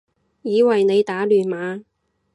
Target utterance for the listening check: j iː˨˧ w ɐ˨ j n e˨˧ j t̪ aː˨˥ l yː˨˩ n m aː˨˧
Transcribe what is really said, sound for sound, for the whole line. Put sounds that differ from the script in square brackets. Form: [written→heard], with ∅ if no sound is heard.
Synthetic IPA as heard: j iː˨˧ w ɐ˨ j n e˨˧ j t̪ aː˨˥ l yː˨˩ n m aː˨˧